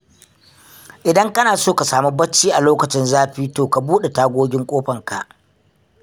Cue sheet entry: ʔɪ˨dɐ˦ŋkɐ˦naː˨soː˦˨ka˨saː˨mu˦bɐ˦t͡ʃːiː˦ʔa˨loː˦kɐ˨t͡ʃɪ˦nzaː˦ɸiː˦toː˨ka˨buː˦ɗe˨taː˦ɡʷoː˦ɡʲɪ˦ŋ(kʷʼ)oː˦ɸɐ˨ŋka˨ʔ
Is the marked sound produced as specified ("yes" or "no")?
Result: yes